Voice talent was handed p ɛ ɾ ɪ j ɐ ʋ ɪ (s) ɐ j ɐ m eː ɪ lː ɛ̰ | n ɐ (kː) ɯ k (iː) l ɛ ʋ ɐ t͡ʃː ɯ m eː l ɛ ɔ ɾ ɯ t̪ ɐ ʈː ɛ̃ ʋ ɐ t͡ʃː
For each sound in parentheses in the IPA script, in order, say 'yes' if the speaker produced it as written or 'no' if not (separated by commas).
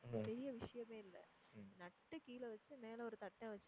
no, no, yes